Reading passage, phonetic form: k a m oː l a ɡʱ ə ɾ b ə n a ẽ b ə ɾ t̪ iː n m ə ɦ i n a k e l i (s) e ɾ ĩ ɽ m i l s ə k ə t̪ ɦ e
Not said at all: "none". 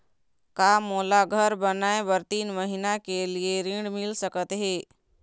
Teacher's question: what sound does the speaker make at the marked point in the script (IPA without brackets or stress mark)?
none